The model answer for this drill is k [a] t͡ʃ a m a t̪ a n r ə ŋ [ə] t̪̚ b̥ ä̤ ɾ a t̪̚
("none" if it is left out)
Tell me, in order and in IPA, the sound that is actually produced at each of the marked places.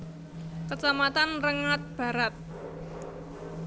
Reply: ə, a

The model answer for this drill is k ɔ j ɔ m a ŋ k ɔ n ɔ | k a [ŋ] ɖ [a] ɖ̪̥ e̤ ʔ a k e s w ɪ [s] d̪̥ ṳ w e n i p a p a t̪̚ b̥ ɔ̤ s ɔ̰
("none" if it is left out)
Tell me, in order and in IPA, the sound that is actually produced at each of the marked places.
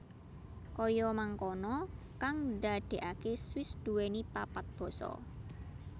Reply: ŋ, a, s

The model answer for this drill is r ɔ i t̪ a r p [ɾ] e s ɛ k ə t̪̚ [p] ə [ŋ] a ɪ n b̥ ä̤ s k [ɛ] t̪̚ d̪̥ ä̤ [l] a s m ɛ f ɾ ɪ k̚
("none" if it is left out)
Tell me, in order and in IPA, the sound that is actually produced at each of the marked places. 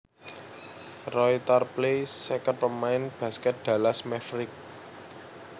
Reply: l, p, m, ɛ, l

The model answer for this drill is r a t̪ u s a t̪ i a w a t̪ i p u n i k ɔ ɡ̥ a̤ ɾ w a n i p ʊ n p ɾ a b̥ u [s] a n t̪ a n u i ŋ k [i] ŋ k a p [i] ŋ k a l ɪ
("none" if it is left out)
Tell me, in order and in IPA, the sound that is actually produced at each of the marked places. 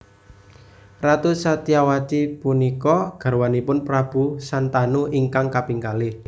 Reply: s, a, i

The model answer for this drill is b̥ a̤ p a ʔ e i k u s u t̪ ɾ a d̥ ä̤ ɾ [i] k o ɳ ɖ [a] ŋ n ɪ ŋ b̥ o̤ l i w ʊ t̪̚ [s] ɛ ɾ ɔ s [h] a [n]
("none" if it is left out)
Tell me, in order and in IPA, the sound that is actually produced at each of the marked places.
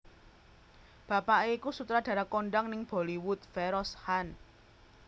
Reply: a, a, f, h, n

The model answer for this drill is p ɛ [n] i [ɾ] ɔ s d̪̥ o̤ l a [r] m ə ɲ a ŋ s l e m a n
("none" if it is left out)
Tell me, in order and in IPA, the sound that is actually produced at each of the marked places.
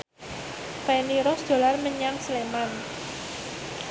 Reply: n, ɾ, r

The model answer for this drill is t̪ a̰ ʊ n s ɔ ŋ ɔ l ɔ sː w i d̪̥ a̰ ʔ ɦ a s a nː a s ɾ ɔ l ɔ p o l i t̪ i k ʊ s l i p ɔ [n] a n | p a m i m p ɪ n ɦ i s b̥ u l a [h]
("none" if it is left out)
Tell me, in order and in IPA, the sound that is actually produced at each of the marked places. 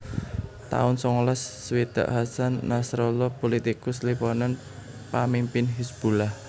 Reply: n, h

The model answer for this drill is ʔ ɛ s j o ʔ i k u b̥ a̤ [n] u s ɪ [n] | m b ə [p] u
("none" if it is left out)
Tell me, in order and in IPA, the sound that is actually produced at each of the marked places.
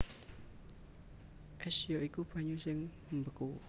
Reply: ɲ, ŋ, k

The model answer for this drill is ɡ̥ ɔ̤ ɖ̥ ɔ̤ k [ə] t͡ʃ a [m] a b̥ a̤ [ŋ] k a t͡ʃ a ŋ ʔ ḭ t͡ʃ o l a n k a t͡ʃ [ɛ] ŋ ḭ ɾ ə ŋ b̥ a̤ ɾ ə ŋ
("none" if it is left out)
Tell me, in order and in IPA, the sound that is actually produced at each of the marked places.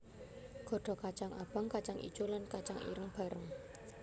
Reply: a, ŋ, ŋ, a

